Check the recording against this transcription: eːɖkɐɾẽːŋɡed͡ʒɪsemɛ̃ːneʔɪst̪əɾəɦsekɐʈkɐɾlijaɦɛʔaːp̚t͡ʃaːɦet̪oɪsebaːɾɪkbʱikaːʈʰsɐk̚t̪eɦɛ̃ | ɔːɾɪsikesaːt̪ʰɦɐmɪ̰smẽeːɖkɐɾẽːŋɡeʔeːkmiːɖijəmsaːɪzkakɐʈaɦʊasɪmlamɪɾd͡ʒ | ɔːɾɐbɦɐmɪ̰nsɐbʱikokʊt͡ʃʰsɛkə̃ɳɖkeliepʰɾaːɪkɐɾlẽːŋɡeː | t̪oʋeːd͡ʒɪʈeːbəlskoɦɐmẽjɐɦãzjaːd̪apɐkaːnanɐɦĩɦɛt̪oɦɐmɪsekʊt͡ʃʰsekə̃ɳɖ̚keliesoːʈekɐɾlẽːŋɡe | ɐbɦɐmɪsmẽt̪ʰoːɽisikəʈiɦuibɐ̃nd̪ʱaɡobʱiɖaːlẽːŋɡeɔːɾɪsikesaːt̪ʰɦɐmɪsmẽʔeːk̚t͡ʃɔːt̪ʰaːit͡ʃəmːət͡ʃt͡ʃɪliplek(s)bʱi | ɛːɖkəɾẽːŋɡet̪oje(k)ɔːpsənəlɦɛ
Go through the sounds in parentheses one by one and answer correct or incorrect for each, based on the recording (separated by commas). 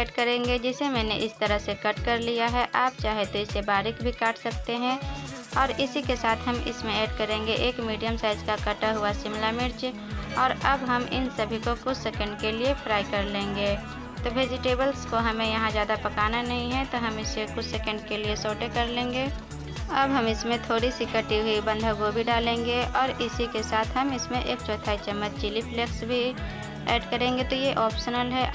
correct, incorrect